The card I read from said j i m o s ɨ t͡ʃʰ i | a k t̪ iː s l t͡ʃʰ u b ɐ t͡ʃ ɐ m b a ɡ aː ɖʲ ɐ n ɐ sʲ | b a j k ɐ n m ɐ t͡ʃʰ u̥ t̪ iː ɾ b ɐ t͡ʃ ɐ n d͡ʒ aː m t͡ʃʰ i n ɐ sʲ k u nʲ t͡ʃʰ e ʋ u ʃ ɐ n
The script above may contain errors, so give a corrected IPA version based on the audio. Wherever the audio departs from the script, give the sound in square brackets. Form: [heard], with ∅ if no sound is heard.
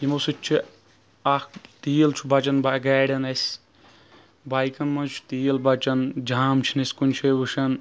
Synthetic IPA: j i m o s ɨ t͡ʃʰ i | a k t̪ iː [∅] l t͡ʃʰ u b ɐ t͡ʃ ɐ [n] b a ɡ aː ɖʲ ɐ n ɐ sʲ | b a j k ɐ n m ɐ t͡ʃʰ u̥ t̪ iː [l] b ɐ t͡ʃ ɐ n d͡ʒ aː m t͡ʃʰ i n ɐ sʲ k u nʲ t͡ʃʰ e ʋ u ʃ ɐ n

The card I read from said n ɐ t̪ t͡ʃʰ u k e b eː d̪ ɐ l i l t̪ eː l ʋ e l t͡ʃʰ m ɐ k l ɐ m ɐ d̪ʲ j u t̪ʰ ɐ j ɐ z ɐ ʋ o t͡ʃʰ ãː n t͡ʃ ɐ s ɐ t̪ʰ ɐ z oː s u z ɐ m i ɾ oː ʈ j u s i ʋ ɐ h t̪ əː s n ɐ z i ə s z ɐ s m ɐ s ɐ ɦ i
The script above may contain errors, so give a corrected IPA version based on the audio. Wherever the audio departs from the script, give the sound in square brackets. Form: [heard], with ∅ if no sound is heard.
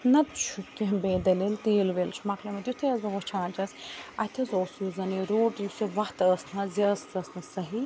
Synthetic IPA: n ɐ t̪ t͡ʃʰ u k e b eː d̪ ɐ l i l t̪ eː l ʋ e l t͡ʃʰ m ɐ k l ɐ m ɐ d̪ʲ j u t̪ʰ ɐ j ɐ z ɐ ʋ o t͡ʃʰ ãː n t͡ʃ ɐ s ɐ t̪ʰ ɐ z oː s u z ɐ [n] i ɾ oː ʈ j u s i ʋ ɐ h t̪ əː s n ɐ z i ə s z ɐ s [n] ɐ s ɐ ɦ i

